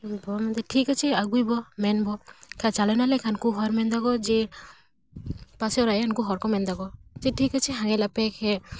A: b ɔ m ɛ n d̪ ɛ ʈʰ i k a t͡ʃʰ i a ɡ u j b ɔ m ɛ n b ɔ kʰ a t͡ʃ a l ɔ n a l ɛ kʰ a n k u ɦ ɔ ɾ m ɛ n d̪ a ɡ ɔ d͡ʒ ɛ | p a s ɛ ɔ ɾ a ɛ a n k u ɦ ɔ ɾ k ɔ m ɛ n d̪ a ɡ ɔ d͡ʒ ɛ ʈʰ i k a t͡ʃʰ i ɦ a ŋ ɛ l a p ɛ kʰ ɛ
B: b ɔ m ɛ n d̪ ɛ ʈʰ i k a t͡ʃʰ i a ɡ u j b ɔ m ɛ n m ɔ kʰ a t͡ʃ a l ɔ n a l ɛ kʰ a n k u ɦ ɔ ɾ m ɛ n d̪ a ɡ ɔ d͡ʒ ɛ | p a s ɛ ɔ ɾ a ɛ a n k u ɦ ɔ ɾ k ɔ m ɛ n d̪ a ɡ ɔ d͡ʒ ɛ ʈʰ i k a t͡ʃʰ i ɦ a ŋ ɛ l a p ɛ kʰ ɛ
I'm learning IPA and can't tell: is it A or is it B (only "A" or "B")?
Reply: A